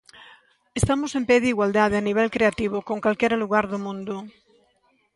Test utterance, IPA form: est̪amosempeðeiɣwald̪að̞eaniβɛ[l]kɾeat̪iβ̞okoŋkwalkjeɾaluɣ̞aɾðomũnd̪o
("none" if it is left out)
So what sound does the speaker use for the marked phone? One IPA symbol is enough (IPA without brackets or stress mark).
l